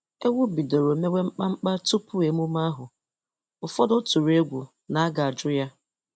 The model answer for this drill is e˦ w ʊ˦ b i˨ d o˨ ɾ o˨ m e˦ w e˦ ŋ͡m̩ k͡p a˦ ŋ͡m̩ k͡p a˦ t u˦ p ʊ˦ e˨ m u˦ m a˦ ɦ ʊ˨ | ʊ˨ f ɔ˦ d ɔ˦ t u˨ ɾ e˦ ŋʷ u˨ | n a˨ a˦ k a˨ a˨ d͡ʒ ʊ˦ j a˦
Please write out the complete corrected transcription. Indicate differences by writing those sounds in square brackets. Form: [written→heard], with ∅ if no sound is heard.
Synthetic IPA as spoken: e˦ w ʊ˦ b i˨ d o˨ ɾ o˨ m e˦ w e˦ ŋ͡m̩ k͡p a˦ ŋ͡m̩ k͡p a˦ t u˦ p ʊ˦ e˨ m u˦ m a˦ ɦ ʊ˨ | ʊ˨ f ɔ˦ d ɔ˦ t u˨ ɾ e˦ [ŋʷ→ɡʷ] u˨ | n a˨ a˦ [k→ɡ] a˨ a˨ d͡ʒ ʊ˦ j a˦